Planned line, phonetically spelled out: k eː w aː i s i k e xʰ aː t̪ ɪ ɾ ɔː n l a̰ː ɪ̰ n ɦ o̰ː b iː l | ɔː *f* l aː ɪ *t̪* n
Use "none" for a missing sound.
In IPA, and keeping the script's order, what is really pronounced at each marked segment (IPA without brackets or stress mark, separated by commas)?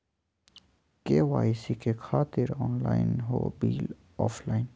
f, none